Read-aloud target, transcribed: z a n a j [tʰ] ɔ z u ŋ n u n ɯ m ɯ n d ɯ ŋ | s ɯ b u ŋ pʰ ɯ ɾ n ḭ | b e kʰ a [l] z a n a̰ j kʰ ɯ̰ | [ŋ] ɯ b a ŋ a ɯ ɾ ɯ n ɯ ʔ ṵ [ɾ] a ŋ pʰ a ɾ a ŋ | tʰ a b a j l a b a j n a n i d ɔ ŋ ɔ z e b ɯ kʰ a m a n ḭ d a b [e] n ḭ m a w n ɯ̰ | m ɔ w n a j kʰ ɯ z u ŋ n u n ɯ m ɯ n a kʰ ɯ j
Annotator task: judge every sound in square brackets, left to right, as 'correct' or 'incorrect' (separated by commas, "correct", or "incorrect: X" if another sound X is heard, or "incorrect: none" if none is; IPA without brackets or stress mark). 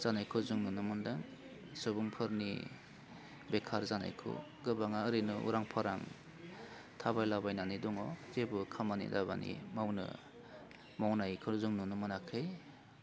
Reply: incorrect: kʰ, incorrect: ɾ, incorrect: ɡ, correct, incorrect: a